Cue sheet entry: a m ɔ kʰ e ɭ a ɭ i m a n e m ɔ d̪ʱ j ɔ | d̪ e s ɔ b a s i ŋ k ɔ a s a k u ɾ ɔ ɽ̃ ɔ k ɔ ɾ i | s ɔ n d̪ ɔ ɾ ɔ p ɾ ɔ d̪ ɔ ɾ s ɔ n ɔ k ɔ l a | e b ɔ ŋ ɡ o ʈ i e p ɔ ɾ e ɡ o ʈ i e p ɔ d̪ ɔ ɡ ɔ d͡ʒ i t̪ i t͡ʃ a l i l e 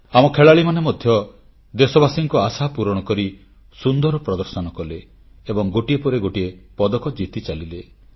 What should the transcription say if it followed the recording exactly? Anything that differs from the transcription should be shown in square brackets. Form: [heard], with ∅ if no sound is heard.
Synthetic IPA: a m ɔ kʰ e ɭ a ɭ i m a n e m ɔ d̪ʱ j ɔ | d̪ e s ɔ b a s i ŋ k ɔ a s a [p] u ɾ ɔ ɽ̃ ɔ k ɔ ɾ i | s [u] n d̪ ɔ ɾ ɔ p ɾ ɔ d̪ ɔ ɾ s ɔ n ɔ k ɔ l [e] | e b ɔ ŋ ɡ o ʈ i e p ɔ ɾ e ɡ o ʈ i e p ɔ d̪ ɔ [k] ɔ d͡ʒ i t̪ i t͡ʃ a l i l e

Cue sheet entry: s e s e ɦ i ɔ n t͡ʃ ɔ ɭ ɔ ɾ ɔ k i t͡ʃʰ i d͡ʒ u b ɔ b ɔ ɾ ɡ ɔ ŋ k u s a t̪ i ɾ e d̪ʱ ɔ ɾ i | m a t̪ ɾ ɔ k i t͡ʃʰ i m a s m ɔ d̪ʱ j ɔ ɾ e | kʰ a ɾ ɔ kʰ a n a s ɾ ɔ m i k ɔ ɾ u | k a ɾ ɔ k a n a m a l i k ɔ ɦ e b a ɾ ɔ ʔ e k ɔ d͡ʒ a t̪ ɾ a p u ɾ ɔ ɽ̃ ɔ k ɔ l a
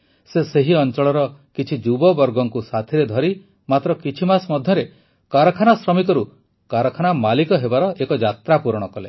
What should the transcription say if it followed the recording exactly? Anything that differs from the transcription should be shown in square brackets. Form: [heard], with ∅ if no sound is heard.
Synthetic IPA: s e s e ɦ i ɔ n t͡ʃ ɔ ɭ ɔ ɾ ɔ k i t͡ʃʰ i d͡ʒ u b ɔ b ɔ ɾ ɡ ɔ ŋ k u s a [t̪ʰ] i ɾ e d̪ʱ ɔ ɾ i | m a t̪ ɾ ɔ k i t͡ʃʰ i m a s m ɔ d̪ʱ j ɔ ɾ e | [k] a ɾ ɔ kʰ a n a s ɾ ɔ m i k ɔ ɾ u | k a ɾ ɔ [kʰ] a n a m a l i k ɔ ɦ e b a ɾ ɔ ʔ e k ɔ d͡ʒ a t̪ ɾ a p u ɾ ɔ ɽ̃ ɔ k ɔ l [e]

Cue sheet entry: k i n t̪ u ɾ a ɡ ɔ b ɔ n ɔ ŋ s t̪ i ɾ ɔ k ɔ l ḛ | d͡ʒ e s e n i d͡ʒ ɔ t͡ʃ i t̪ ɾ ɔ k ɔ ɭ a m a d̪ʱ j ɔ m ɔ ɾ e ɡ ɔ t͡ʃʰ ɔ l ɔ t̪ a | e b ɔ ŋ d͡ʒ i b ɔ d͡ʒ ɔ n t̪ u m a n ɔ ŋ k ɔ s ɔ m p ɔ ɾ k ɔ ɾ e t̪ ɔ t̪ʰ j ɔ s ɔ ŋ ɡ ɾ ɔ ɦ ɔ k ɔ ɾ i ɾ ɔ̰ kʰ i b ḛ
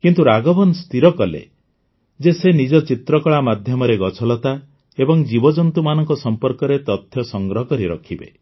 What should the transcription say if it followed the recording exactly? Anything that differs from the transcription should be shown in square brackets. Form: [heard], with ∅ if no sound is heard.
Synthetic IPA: k i n t̪ u ɾ a ɡ ɔ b ɔ n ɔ [∅] s t̪ i ɾ ɔ k ɔ l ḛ | d͡ʒ e s e n i d͡ʒ ɔ t͡ʃ i t̪ ɾ ɔ k ɔ ɭ a m a d̪ʱ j ɔ m ɔ ɾ e ɡ ɔ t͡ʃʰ ɔ l ɔ t̪ a | e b ɔ ŋ d͡ʒ i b ɔ d͡ʒ ɔ n t̪ u m a n ɔ ŋ k ɔ s ɔ m p ɔ ɾ k ɔ ɾ e t̪ ɔ t̪ʰ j ɔ s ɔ ŋ ɡ ɾ ɔ ɦ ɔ k ɔ ɾ i ɾ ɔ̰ kʰ i b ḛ

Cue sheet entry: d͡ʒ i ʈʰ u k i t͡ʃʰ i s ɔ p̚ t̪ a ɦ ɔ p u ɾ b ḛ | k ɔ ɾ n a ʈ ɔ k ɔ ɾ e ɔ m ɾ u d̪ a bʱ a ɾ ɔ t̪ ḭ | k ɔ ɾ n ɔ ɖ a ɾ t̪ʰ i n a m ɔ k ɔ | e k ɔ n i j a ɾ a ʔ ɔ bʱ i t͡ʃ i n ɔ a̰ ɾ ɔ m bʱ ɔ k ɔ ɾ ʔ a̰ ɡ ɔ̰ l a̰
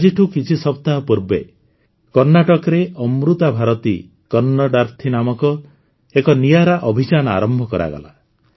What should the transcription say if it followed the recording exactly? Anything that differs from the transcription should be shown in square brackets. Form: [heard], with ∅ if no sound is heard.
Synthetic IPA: d͡ʒ i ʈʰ u k i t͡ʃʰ i s ɔ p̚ t̪ a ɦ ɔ p u ɾ b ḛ | k ɔ ɾ n a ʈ ɔ k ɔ ɾ e ɔ m ɾ u [t̪] a bʱ a ɾ ɔ t̪ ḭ | k ɔ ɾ n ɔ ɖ a ɾ t̪ʰ i n a m ɔ k ɔ | e k ɔ n i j a ɾ a ʔ ɔ bʱ i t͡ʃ [a] n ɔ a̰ ɾ ɔ m bʱ ɔ k ɔ ɾ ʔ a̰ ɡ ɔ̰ l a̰

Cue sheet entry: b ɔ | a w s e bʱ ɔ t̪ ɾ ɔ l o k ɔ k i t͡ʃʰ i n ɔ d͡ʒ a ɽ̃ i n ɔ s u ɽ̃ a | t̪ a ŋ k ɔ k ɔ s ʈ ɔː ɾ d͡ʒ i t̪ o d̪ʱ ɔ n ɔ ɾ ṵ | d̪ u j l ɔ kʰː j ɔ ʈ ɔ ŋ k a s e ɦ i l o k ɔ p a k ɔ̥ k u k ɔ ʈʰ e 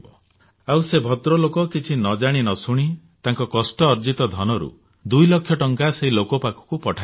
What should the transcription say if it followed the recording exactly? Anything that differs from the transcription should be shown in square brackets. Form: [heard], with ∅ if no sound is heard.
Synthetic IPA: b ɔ | a w s e bʱ ɔ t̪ ɾ ɔ l o k ɔ k i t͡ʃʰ i n ɔ d͡ʒ a ɽ̃ i n ɔ s u ɽ̃ [i] | t̪ a ŋ k ɔ k ɔ s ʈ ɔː ɾ d͡ʒ i t̪ [ɔ] d̪ʱ ɔ n ɔ ɾ ṵ | d̪ u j l ɔ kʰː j ɔ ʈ ɔ ŋ k a s e ɦ i l o k ɔ p a k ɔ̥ k u [p] ɔ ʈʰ [a]

